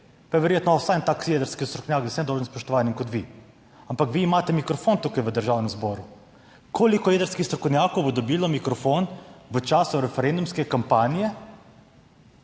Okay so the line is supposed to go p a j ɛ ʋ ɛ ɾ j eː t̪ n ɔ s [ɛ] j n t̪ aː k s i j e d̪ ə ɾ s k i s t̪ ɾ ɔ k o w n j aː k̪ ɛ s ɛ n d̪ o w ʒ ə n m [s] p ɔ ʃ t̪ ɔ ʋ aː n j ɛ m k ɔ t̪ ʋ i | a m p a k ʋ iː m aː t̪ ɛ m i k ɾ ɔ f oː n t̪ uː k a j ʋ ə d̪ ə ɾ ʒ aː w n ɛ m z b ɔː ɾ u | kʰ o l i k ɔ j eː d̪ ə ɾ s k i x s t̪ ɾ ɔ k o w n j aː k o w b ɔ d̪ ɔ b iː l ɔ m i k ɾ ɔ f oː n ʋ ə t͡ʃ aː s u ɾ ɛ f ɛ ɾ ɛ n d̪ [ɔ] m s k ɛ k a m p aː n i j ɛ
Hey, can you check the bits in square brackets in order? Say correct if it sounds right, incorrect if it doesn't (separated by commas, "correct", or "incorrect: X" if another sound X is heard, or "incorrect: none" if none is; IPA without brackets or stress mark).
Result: incorrect: a, correct, incorrect: u